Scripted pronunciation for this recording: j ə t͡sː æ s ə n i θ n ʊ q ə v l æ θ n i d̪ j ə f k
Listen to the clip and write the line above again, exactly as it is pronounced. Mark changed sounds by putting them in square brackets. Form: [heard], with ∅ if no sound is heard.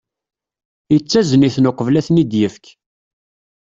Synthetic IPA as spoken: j ə t͡sː æ [z] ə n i θ n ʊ q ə v l æ θ n i d̪ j ə f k